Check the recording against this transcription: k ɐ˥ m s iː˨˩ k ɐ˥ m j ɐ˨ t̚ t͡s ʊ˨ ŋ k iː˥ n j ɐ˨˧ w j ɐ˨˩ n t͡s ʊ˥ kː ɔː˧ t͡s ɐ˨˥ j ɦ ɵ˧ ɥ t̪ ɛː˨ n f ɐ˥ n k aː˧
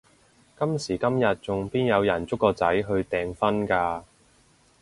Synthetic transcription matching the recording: k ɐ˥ m s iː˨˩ k ɐ˥ m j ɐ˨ t̚ t͡s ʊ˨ ŋ p iː˥ n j ɐ˨˧ w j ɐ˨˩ n t͡s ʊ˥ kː ɔː˧ t͡s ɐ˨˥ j ɦ ɵ˧ ɥ t̪ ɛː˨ ŋ f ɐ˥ n k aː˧